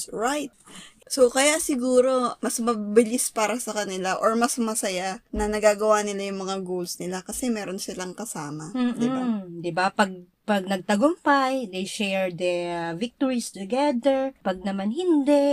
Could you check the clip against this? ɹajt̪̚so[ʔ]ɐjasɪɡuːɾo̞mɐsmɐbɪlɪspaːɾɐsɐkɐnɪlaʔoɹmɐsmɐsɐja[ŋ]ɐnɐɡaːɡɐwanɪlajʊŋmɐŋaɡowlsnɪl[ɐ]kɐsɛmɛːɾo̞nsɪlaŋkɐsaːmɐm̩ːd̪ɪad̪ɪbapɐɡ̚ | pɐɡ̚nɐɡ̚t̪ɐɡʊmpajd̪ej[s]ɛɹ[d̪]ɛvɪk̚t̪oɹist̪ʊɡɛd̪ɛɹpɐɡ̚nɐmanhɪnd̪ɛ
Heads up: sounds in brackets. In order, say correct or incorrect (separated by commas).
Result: incorrect, incorrect, incorrect, incorrect, correct